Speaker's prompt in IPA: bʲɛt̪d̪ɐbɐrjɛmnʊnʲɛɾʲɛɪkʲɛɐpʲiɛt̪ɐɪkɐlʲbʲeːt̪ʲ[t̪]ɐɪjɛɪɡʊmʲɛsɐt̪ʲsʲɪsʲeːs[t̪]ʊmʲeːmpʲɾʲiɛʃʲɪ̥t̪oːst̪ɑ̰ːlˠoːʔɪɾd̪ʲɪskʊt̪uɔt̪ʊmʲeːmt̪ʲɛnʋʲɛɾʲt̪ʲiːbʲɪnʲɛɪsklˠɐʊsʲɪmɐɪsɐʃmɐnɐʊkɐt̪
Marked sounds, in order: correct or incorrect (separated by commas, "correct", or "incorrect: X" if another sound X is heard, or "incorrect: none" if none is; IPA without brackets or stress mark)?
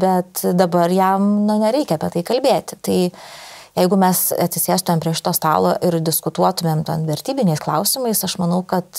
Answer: correct, correct